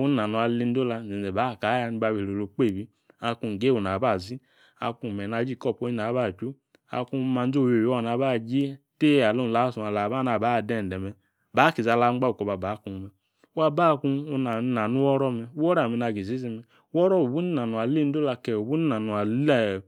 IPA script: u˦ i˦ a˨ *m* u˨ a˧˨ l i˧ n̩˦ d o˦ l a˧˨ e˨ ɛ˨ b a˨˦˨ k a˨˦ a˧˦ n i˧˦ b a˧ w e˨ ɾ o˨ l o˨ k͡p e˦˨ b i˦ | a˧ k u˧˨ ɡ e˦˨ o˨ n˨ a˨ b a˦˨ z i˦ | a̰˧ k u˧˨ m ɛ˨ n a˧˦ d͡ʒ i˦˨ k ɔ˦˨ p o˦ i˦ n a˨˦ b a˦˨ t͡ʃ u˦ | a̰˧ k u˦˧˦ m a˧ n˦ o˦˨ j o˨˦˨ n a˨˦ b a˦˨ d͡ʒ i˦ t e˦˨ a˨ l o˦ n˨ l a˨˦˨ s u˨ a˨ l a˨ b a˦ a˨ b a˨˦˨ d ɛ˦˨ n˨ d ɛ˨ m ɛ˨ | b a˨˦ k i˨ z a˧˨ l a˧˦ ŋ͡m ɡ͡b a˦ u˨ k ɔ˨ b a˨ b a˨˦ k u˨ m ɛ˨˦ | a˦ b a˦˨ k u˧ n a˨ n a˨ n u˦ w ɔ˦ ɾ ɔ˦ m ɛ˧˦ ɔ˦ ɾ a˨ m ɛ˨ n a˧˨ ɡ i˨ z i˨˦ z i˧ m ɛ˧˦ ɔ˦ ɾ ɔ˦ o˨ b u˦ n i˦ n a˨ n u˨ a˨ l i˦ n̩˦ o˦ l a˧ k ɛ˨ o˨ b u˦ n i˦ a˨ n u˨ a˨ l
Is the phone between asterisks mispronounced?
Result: yes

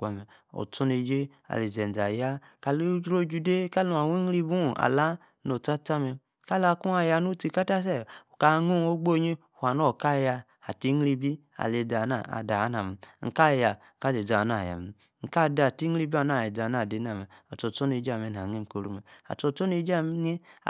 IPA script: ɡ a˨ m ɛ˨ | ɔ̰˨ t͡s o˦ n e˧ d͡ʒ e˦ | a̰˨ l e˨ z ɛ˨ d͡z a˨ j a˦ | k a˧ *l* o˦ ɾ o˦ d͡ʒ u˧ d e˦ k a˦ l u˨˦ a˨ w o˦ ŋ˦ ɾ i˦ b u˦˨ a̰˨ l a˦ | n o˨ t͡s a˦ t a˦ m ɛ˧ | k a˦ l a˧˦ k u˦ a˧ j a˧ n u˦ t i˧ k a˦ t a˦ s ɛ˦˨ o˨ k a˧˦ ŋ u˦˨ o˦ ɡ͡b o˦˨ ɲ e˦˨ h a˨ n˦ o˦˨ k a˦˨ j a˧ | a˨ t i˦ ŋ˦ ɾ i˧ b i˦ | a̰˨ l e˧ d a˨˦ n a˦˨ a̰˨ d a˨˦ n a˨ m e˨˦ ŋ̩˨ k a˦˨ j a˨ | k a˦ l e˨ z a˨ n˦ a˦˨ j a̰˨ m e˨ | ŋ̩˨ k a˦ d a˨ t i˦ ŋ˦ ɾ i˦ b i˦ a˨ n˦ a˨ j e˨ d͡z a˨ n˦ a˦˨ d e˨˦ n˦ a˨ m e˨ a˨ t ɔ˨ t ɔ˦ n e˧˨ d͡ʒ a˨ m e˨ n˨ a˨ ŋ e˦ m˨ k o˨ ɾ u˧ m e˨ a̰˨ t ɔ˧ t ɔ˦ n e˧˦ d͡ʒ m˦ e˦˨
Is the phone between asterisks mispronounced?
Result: no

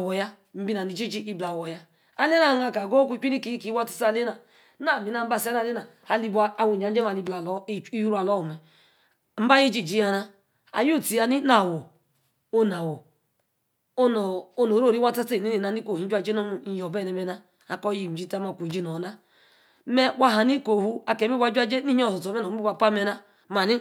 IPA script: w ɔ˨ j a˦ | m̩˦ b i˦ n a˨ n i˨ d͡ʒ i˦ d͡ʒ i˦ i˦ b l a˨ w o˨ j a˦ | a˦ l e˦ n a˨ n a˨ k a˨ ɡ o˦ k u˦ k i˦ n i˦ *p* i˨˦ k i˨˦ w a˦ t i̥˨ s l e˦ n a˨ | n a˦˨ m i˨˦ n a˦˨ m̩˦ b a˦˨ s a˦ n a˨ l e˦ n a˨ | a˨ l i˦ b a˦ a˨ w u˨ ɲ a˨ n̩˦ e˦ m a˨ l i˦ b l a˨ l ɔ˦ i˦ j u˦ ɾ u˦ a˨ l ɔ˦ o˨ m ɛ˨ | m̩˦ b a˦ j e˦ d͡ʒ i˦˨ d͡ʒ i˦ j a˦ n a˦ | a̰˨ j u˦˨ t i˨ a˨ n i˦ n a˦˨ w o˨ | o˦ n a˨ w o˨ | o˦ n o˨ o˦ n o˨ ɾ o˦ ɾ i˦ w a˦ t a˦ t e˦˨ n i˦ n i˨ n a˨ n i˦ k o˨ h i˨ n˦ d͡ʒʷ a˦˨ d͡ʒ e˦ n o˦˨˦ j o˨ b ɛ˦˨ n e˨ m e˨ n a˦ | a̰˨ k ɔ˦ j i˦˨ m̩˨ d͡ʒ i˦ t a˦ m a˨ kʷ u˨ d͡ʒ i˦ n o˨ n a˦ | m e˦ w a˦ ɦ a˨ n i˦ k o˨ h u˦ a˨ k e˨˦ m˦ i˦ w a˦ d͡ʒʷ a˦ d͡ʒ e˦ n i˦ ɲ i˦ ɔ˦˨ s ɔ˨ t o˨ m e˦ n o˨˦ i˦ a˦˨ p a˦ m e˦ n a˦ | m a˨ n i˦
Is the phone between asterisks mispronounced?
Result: yes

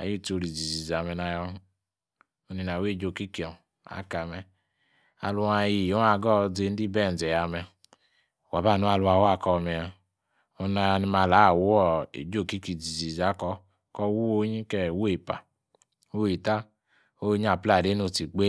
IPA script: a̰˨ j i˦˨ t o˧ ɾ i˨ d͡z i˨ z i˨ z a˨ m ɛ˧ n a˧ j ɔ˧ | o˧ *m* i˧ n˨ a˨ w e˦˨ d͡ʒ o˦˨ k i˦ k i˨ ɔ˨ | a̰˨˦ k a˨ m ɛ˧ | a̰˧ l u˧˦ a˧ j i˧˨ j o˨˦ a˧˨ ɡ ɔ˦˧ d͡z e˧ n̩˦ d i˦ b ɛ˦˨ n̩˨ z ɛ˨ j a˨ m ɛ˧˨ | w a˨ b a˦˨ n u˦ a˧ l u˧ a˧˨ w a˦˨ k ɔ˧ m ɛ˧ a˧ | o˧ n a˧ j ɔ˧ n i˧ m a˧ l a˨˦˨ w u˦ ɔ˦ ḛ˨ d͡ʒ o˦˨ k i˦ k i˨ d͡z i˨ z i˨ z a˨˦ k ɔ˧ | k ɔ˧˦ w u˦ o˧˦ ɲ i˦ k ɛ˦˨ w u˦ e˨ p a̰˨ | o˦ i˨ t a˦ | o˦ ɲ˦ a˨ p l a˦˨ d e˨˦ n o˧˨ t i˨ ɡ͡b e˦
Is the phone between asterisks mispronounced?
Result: yes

